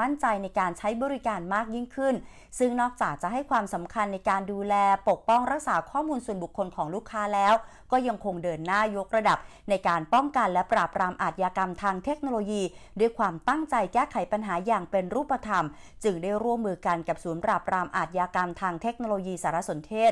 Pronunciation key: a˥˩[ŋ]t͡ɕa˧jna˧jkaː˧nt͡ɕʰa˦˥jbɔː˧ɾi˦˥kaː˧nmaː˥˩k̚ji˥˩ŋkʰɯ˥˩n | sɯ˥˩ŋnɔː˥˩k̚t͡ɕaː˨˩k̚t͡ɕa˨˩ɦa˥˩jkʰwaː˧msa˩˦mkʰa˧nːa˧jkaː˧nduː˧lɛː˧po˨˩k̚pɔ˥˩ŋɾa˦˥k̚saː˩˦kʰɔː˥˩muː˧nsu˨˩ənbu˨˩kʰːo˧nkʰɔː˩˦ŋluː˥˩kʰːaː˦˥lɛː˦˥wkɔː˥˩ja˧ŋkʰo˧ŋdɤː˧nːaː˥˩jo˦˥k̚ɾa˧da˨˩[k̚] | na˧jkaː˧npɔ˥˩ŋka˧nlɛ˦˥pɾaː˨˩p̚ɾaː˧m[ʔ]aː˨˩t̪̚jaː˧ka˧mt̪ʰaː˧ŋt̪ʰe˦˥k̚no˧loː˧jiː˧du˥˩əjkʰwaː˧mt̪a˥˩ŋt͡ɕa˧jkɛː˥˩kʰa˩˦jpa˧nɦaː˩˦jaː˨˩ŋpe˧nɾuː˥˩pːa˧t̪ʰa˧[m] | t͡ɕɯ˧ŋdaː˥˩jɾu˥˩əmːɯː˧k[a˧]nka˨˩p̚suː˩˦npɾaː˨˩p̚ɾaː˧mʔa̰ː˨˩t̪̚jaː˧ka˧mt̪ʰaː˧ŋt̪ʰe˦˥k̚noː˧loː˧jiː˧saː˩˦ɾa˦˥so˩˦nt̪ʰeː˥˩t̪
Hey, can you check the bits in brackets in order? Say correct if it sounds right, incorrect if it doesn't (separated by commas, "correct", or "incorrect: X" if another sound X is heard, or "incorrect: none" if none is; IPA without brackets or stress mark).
incorrect: n, incorrect: p̚, correct, correct, correct